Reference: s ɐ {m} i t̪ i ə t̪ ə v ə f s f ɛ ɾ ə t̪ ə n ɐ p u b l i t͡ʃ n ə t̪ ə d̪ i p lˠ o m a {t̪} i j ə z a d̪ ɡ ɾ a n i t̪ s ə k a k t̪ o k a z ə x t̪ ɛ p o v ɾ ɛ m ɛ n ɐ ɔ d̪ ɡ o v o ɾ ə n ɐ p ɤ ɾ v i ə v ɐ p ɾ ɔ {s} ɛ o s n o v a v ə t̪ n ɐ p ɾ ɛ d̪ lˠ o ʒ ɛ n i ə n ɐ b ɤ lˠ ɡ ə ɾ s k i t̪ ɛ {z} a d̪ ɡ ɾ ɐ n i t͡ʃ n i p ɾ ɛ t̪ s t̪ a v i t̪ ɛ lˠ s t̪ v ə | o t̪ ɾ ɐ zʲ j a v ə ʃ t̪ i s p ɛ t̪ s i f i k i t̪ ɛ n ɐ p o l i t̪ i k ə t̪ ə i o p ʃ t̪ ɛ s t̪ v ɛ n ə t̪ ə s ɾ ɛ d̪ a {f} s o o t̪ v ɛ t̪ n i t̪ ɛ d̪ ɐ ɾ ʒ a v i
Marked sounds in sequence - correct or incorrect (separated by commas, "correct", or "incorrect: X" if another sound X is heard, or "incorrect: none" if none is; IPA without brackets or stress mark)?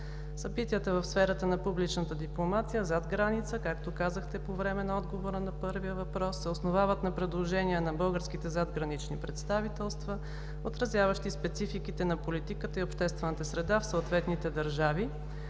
incorrect: b, correct, incorrect: sː, correct, correct